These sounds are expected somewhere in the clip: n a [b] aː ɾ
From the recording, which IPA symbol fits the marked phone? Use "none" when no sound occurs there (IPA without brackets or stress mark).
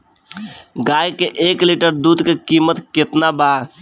b